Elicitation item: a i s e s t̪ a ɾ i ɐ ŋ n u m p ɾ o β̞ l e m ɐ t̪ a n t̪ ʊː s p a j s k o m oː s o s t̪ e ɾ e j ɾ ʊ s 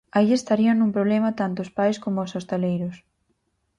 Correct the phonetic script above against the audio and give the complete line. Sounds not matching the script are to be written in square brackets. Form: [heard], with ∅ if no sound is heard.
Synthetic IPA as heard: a i [∅] e s t̪ a ɾ i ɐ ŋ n u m p ɾ o β̞ l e m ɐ t̪ a n t̪ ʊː s p a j s k o m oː s o s t̪ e [l] e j ɾ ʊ s

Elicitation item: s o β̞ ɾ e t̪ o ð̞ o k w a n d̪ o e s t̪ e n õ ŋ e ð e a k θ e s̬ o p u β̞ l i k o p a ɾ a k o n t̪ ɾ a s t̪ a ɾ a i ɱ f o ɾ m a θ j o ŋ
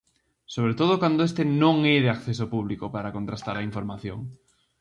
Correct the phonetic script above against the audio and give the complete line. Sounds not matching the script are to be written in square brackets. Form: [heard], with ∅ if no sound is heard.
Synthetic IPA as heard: s o β̞ ɾ e t̪ o ð̞ o k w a n d̪ o e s t̪ e n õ ŋ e ð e a k θ e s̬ o p u β̞ l i k o p a ɾ a k o n t̪ ɾ a s t̪ a ɾ a i ɱ f o ɾ m a θ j o ŋ

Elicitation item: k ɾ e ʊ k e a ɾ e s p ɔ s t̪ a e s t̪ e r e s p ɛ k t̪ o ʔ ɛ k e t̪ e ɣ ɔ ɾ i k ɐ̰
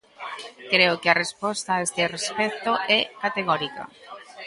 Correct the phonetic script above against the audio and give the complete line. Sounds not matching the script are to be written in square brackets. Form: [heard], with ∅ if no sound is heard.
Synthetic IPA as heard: k ɾ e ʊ k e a [r] e s p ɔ s t̪ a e s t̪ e r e s p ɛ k t̪ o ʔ ɛ k [a] t̪ e ɣ ɔ ɾ i k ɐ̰

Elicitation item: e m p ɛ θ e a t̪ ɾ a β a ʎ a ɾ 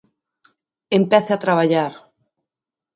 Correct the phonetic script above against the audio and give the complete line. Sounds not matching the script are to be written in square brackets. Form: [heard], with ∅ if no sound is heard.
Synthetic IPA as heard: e m p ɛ θ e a t̪ ɾ a β a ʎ a ɾ

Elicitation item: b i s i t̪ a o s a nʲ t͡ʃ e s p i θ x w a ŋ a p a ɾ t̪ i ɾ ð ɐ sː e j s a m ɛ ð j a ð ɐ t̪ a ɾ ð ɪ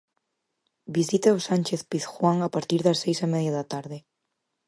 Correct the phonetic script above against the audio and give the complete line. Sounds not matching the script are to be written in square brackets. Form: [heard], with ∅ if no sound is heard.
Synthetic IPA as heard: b i s i t̪ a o s a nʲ t͡ʃ e [θ] p i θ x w a ŋ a p a ɾ t̪ i ɾ ð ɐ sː e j s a m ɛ ð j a ð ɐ t̪ a ɾ ð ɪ

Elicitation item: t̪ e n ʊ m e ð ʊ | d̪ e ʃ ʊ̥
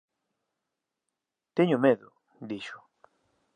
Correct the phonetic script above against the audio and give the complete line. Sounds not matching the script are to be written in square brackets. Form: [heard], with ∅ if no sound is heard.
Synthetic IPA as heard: t̪ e [ɲ] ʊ m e ð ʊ | d̪ [i] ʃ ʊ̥

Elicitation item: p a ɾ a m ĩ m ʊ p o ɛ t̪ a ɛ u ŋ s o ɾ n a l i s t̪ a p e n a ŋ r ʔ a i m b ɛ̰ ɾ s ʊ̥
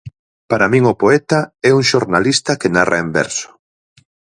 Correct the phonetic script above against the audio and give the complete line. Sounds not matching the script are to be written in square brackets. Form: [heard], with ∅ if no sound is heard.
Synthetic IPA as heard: p a ɾ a m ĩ [ŋ] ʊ p o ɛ t̪ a ɛ u ŋ [ʃ] o ɾ n a l i s t̪ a [k] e n a [∅] r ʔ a [e] m b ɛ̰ ɾ s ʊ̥

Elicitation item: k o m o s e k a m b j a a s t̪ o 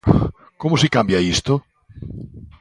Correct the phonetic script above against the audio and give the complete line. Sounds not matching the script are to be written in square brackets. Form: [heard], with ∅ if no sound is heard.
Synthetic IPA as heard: k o m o s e k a m b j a [i] s t̪ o

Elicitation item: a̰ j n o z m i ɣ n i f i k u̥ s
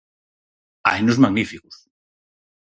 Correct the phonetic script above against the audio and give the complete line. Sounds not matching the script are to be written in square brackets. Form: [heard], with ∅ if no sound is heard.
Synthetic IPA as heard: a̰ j n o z m [a] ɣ n i f i k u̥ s

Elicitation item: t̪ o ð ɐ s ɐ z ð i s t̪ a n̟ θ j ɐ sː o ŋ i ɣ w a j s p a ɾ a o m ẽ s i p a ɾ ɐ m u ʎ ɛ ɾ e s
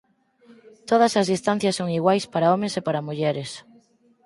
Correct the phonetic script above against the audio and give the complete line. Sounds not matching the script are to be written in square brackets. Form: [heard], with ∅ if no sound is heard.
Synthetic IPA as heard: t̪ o ð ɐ s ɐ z ð i s t̪ a n̟ θ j ɐ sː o ŋ i ɣ w a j s p a ɾ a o m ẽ s [e] p a ɾ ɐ m u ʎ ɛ ɾ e s

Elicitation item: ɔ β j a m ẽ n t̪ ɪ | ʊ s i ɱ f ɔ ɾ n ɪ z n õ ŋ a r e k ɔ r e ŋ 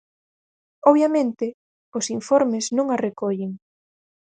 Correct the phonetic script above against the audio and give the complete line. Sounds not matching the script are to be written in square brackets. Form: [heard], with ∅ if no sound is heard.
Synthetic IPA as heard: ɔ β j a m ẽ n t̪ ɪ | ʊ s i ɱ f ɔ ɾ [m] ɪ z n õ ŋ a r e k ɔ [ʎ] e ŋ

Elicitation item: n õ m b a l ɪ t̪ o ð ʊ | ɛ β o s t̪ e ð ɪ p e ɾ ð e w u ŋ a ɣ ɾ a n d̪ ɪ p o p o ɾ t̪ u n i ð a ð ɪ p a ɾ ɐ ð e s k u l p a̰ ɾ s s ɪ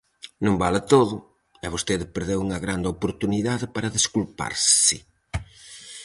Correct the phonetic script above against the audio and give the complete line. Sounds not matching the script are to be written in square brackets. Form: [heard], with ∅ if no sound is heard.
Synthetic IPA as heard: n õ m b a l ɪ t̪ o ð ʊ | ɛ β o s t̪ e ð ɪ p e ɾ ð e w u ŋ [ɐ] ɣ ɾ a n d̪ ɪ [∅] o p o ɾ t̪ u n i ð a ð ɪ p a ɾ ɐ ð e s k u l p a̰ ɾ s s ɪ

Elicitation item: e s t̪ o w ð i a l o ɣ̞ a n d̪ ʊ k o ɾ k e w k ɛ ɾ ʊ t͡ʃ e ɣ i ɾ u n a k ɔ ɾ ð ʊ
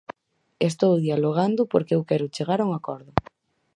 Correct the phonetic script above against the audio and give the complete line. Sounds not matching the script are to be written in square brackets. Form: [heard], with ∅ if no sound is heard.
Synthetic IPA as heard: e s t̪ o w ð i a l o ɣ̞ a n d̪ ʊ [p] o ɾ k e w k ɛ ɾ ʊ t͡ʃ e ɣ [a] ɾ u [ŋ] a k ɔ ɾ ð ʊ

